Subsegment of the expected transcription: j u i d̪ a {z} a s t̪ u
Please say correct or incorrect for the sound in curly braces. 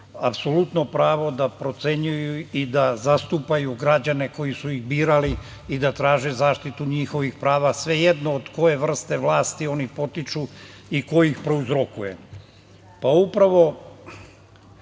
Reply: correct